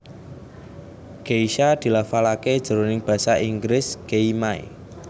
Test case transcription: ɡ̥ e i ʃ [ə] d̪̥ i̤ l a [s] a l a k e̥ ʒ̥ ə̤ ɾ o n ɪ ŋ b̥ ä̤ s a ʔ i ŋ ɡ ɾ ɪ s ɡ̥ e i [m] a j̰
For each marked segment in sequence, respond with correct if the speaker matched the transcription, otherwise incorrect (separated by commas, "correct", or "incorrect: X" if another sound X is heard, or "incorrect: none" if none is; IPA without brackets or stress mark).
incorrect: a, incorrect: f, correct